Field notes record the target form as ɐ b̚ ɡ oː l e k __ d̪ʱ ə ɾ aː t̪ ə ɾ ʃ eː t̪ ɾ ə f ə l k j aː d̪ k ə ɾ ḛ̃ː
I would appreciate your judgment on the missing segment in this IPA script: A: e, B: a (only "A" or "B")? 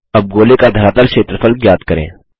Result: B